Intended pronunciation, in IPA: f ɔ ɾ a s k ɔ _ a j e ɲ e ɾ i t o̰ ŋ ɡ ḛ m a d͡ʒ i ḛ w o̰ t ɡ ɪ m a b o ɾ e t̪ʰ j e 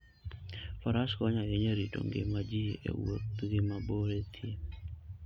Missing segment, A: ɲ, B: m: A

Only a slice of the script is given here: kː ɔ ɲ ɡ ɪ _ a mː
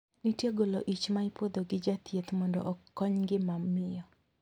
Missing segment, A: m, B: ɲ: A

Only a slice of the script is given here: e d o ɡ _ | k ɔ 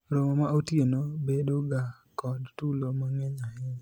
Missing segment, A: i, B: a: B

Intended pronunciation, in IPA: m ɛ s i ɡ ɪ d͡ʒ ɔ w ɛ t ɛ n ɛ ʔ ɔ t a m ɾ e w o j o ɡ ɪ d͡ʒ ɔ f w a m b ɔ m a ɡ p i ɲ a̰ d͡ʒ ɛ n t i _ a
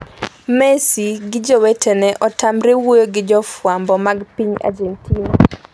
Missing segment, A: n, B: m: A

